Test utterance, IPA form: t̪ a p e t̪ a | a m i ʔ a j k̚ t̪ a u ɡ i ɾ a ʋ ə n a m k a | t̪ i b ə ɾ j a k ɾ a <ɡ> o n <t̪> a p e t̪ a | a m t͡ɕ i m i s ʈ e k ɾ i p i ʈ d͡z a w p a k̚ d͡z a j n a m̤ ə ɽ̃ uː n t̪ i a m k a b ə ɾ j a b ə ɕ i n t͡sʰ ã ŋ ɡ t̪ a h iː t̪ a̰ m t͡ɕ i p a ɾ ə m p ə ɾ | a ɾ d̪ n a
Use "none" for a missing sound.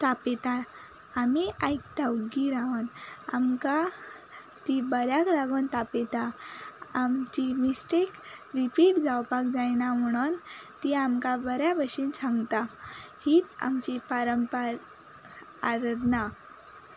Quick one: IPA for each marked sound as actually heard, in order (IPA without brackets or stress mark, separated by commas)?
ɡ, t̪